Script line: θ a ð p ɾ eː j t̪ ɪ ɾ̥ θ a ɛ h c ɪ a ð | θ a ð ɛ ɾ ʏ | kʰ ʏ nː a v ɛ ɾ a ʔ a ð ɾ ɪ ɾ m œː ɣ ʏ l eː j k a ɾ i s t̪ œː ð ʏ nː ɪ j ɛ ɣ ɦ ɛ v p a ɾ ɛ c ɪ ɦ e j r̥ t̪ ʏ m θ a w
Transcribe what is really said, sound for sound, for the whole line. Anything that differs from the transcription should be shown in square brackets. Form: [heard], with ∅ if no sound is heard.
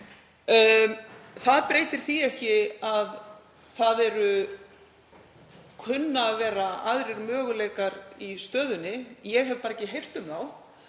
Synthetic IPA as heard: θ a ð p ɾ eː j t̪ ɪ ɾ̥ θ [i] ɛ h c ɪ a ð | θ a ð ɛ ɾ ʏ | kʰ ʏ nː a v [ɛː] ɾ a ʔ a ð ɾ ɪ ɾ m œː ɣ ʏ l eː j k a ɾ i s t̪ œː ð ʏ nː ɪ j ɛ ɣ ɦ ɛ v p a ɾ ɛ c ɪ ɦ e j r̥ t̪ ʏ m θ a w